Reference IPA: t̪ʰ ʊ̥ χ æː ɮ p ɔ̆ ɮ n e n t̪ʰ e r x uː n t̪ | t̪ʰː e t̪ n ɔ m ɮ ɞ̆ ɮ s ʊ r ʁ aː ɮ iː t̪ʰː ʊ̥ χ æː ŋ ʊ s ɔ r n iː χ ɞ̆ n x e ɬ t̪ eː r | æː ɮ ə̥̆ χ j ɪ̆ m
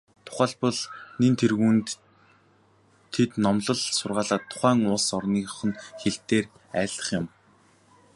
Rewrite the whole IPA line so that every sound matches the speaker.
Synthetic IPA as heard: t̪ʰ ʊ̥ χ æː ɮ p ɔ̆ ɮ n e n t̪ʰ e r ɣ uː n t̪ | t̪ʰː e t̪ n ɔ m ɮ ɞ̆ ɮ s ʊ r ʁ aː ɮ aː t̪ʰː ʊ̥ χ æː ŋ ʊ s ɔ r n iː χ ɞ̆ n x e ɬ t̪ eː r | æː ɮ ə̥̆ χ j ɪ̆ m